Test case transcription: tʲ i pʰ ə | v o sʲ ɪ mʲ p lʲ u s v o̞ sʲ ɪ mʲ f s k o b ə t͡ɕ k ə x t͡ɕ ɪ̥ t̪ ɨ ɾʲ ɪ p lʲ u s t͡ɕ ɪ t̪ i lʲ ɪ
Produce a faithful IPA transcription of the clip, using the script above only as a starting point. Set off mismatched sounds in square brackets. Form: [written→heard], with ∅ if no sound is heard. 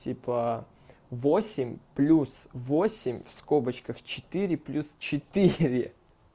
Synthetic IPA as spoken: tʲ i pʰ ə | v o sʲ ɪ mʲ p lʲ u s v o̞ sʲ ɪ mʲ f s k o b ə t͡ɕ k ə x t͡ɕ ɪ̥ t̪ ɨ ɾʲ ɪ p lʲ u s t͡ɕ ɪ t̪ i [lʲ→ɾʲ] ɪ